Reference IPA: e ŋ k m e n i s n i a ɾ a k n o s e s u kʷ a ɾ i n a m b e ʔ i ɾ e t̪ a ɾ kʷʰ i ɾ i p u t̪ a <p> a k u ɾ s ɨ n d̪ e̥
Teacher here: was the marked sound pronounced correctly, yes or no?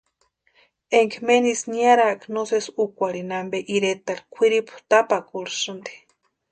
yes